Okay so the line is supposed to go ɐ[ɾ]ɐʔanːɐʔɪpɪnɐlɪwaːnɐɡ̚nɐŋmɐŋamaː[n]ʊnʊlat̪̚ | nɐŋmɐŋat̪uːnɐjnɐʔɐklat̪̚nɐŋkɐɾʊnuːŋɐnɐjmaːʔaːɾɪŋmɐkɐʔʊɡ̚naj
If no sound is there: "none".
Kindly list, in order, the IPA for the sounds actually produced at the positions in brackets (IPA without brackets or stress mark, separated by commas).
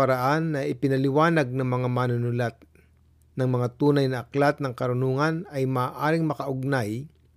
ɾ, n